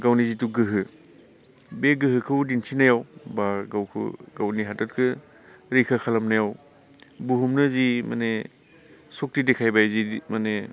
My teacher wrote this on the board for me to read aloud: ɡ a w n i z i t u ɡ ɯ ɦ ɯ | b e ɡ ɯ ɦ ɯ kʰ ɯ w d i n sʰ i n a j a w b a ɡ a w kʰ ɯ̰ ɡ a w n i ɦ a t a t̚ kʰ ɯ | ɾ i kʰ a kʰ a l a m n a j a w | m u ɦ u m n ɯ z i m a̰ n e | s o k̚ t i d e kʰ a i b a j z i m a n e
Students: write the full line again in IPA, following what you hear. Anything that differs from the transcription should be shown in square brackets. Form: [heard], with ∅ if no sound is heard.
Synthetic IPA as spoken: ɡ a w n i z i t u ɡ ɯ ɦ ɯ | b e ɡ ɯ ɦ ɯ kʰ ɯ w d i n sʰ i n a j a w b a ɡ a w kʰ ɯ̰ ɡ a w n i ɦ a t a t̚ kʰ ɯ | ɾ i kʰ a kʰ a l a m n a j a w | [b] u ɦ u m n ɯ z i m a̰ n e | s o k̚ t i d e kʰ a [j] b a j z i m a n e